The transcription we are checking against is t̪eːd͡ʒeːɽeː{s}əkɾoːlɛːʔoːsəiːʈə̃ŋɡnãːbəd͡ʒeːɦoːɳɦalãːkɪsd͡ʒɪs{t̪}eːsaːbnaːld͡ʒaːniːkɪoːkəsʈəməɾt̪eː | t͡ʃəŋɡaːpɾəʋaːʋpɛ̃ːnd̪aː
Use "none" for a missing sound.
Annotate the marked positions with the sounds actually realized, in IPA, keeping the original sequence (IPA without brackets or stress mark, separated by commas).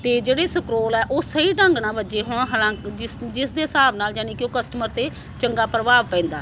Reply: s, d̪